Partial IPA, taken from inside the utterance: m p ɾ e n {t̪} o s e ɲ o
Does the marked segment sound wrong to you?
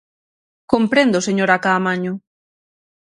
yes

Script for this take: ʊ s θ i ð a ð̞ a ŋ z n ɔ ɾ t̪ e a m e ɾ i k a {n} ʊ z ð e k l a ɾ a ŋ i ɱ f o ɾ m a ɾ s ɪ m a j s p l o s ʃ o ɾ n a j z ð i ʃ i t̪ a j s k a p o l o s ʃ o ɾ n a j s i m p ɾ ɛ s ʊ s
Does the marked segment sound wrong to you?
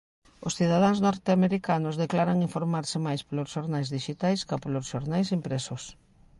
no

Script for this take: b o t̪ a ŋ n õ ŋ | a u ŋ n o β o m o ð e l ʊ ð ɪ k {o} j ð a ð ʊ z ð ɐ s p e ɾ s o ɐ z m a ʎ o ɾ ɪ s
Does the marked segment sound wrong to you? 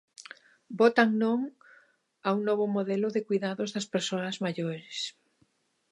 yes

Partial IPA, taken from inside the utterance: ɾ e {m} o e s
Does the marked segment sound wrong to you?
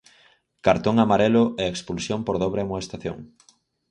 no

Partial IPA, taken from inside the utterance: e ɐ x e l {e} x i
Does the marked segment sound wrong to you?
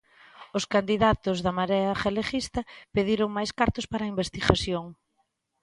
no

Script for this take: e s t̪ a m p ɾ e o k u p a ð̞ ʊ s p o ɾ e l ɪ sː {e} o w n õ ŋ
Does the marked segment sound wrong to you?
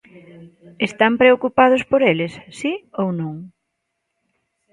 yes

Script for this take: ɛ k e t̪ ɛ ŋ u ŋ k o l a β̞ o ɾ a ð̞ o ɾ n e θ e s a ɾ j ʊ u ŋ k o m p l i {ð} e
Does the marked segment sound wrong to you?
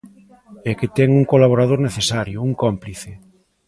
yes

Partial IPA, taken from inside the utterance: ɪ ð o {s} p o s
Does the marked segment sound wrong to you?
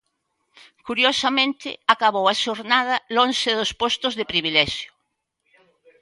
no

